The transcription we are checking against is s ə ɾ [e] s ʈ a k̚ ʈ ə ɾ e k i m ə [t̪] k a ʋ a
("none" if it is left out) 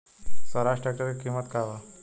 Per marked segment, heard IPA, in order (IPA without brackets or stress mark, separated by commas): a, t̪